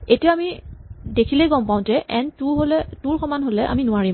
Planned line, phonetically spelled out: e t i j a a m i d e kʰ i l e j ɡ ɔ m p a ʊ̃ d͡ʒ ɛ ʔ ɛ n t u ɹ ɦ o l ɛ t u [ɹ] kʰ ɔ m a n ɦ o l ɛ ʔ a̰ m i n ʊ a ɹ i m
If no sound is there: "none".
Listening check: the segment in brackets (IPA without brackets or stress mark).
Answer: ɹ